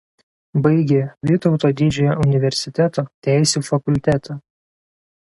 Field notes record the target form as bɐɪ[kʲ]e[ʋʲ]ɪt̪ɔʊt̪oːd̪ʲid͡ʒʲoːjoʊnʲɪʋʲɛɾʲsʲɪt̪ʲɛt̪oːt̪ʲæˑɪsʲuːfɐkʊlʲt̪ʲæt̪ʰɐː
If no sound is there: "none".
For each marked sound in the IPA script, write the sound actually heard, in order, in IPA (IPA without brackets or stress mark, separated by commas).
ɡʲ, ʋʲ